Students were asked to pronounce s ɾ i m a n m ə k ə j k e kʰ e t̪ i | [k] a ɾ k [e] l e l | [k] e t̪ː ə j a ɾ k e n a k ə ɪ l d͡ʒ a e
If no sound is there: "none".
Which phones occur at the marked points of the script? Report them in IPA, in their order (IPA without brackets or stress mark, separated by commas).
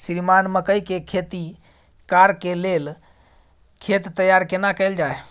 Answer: k, e, kʰ